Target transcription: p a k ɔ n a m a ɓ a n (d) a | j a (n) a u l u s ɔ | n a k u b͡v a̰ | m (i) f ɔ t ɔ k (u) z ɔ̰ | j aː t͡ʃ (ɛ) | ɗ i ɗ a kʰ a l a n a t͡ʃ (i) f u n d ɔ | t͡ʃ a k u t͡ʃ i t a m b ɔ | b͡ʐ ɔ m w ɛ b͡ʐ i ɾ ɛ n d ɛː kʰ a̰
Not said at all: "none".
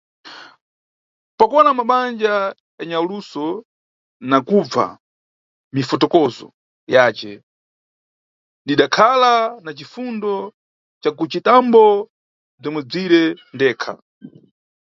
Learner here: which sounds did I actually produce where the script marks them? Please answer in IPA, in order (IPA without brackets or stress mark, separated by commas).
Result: d͡ʒ, ɲ, i, ɔ, ɛ, i